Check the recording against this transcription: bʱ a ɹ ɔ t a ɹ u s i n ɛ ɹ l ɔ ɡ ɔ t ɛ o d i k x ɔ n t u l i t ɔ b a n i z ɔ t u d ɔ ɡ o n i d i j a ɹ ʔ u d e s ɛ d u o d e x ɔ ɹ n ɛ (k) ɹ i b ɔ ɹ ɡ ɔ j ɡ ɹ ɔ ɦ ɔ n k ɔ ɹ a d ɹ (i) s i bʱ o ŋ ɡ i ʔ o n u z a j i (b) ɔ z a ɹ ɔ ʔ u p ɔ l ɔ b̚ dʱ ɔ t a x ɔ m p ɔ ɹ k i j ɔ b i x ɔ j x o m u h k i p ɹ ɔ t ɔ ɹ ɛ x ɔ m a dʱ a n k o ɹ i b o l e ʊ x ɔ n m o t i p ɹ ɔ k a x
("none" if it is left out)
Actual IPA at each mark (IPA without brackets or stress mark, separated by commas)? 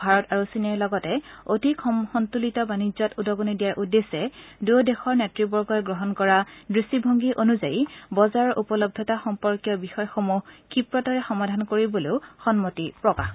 t, i, b